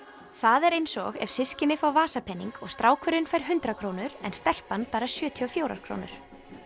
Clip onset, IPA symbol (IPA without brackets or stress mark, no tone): θ